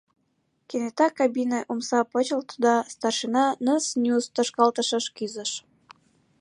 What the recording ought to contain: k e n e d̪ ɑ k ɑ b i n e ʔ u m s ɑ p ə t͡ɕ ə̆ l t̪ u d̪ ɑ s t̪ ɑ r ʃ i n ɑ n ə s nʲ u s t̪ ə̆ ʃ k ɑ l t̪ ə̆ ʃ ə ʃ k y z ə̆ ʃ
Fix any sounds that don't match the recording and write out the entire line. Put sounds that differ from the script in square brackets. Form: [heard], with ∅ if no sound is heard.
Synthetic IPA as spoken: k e n e [t̪] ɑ k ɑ b i n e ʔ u m s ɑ p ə t͡ɕ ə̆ l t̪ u d̪ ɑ s t̪ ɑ r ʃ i n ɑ n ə s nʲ u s t̪ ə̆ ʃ k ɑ l t̪ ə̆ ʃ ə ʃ k y z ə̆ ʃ